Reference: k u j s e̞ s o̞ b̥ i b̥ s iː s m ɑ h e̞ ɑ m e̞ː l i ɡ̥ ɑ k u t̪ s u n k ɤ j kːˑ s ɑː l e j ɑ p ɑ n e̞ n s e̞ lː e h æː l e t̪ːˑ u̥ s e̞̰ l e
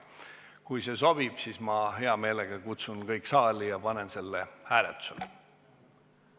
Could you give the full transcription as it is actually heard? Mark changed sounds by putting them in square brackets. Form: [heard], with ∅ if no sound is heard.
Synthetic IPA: k u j s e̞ s o̞ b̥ i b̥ s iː s m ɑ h e̞ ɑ m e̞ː l [e] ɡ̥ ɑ k u t̪ s u n k ɤ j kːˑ s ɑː l [i] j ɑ p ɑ n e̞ n s e̞ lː e h æː l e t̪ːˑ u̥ s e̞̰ l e

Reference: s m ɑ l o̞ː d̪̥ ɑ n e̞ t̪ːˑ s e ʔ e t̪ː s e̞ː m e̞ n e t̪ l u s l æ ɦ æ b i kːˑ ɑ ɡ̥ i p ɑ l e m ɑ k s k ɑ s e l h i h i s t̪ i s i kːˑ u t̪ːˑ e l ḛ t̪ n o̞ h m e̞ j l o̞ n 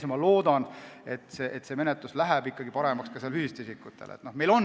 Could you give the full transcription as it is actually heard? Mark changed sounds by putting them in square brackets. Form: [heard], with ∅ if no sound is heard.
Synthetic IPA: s m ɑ l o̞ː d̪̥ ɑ n e̞ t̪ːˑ s e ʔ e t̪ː s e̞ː m e̞ n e t̪ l u s l æ ɦ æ b i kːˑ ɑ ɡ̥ i p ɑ [ɾ] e m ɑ k s k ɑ s e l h [y] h i s t̪ i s i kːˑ u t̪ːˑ e l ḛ t̪ n o̞ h m e̞ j l o̞ n

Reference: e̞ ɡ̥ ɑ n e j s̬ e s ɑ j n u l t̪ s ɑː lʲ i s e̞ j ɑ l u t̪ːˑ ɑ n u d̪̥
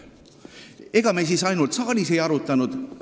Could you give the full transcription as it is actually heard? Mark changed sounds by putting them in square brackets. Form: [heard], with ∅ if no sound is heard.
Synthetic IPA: e̞ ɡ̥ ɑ [m] e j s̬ [i] s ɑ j n u l t̪ s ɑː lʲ i s e̞ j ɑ [ɾ] u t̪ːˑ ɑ n u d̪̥

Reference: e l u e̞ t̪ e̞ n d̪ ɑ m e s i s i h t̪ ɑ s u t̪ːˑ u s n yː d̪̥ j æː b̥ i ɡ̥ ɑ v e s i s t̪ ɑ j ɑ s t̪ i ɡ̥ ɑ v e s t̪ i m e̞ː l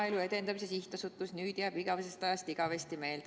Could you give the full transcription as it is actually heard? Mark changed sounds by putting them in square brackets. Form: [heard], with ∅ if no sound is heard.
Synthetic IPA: e l u e̞ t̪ e̞ n d̪ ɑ m [i] s [e] s i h t̪ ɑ s u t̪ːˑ u s n yː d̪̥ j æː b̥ i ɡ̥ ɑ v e s [e] s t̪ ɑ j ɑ s t̪ i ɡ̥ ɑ v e s t̪ i m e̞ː l

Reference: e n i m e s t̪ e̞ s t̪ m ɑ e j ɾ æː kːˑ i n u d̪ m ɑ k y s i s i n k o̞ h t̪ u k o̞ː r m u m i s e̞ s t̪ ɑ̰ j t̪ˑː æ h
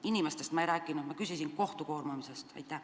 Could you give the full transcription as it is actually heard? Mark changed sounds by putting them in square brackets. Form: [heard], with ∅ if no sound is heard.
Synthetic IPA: [i] n i m e s t̪ e̞ s t̪ m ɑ e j ɾ æː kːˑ i n u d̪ m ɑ k y s i s i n k o̞ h t̪ u k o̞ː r m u m i s e̞ s t̪ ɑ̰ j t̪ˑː æ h

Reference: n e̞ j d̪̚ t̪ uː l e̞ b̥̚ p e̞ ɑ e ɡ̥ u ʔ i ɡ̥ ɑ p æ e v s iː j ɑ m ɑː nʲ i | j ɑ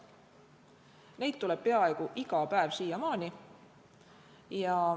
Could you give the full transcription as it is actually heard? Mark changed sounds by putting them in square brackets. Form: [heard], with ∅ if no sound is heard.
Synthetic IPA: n e̞ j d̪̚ t̪ [u] l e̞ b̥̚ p e̞ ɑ e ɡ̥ u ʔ i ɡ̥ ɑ p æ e v s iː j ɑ m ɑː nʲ i | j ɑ

